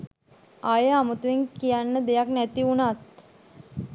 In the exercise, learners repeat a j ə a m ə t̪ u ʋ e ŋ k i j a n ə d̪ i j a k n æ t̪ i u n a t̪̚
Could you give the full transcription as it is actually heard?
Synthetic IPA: a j ə a m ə t̪ u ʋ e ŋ k i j a nː ə d̪ e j a k n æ t̪ i u n a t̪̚